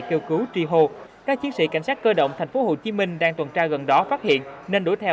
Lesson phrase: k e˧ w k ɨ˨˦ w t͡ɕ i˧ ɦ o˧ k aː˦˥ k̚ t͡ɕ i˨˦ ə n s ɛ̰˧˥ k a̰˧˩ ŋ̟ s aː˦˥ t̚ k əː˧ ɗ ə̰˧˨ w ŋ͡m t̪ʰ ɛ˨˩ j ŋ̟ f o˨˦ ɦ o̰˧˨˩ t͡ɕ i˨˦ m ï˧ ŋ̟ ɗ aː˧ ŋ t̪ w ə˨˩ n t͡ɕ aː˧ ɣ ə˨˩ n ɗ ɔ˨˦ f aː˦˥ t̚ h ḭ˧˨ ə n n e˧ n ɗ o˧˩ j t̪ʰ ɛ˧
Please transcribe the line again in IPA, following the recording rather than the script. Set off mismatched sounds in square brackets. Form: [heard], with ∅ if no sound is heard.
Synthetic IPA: k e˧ w k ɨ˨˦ w t͡ɕ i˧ ɦ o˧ k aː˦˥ k̚ t͡ɕ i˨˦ ə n s [ḭ˧˥] k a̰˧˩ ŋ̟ s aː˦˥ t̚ k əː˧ ɗ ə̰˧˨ w ŋ͡m t̪ʰ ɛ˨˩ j ŋ̟ f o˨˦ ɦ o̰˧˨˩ t͡ɕ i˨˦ m ï˧ ŋ̟ ɗ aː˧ ŋ t̪ w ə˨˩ n t͡ɕ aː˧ ɣ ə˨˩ n ɗ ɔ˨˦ f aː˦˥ t̚ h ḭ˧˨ ə n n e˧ n ɗ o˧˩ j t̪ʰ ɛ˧